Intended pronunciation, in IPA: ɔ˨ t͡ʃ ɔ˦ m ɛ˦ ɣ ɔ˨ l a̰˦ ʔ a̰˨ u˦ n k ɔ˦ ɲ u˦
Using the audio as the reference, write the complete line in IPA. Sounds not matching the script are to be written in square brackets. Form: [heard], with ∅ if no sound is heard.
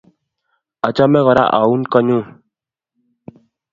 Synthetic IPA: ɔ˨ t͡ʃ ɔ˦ m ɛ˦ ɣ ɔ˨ [ɾ] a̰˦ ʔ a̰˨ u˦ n k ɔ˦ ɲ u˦